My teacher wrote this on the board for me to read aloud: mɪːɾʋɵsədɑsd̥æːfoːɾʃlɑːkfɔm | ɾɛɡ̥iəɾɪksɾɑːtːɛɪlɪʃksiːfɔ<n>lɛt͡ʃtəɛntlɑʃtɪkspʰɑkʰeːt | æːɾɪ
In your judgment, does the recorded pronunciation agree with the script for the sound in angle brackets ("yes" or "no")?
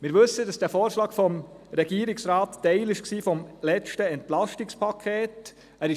no